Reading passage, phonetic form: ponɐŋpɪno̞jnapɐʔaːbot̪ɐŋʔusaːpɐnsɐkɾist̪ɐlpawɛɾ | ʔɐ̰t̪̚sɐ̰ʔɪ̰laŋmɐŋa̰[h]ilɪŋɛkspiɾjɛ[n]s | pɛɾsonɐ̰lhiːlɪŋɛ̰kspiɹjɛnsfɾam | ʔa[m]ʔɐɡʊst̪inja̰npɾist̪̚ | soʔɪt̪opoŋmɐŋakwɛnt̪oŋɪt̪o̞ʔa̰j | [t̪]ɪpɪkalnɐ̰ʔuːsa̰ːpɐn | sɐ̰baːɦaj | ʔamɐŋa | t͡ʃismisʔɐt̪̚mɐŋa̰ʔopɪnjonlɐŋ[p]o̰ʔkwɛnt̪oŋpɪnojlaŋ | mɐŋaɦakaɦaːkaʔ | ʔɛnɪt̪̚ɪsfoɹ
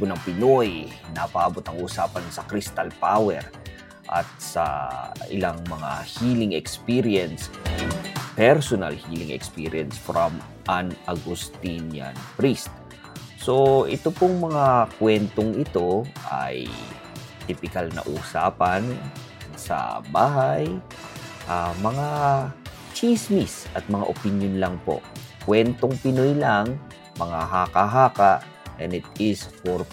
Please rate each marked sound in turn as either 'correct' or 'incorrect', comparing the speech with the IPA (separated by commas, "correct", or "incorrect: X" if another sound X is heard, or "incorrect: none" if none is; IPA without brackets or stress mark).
correct, correct, incorrect: n, correct, correct